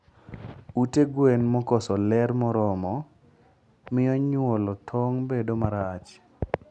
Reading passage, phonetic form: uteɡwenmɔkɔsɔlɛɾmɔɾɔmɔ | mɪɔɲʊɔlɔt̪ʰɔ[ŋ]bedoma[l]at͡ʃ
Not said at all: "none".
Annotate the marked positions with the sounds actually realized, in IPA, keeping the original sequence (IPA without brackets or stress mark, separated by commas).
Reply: ŋ, ɾ